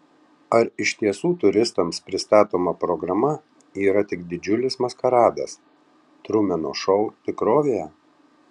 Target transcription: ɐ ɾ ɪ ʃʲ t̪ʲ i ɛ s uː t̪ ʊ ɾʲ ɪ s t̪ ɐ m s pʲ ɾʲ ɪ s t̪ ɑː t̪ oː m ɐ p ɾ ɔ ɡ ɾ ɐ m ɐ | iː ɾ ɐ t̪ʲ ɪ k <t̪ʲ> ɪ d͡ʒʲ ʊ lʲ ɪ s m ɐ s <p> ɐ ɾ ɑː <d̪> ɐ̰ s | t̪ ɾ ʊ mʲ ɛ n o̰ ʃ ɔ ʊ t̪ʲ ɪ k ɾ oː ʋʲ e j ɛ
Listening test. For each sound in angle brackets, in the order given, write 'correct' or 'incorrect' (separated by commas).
incorrect, incorrect, correct